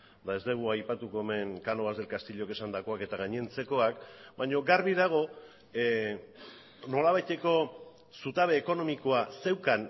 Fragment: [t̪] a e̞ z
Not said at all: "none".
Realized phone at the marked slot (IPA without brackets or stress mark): d̪